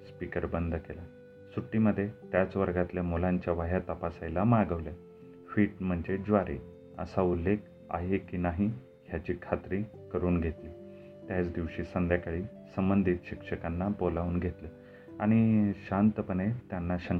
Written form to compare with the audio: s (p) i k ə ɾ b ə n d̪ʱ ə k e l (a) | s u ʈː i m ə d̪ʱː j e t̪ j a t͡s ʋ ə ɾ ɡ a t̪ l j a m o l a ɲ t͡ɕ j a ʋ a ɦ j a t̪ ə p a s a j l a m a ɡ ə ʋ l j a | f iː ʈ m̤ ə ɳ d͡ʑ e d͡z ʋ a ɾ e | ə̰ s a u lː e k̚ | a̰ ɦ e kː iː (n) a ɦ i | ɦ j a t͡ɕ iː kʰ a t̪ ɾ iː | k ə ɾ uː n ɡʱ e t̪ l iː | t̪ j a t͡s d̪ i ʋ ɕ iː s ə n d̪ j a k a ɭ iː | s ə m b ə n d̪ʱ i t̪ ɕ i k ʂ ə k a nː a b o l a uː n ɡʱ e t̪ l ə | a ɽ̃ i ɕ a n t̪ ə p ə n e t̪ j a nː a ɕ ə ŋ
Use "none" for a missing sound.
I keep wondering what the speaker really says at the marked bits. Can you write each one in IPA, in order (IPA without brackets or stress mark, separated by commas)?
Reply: p, a, n